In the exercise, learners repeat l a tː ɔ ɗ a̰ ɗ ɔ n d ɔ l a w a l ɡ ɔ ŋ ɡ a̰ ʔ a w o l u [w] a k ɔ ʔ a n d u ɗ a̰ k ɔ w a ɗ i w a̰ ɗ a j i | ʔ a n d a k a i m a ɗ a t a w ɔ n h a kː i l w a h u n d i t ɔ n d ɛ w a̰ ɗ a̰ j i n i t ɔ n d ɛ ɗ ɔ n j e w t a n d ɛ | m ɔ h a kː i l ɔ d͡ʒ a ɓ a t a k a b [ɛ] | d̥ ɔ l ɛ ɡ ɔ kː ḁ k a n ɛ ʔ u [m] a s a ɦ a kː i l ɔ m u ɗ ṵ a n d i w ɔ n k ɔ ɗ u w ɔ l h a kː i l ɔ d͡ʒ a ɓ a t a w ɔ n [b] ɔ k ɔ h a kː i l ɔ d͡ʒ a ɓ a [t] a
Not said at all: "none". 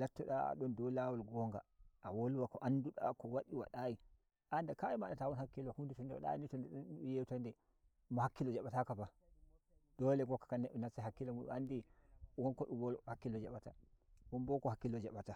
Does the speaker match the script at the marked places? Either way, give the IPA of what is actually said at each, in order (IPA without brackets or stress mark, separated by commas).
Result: w, a, n, b, t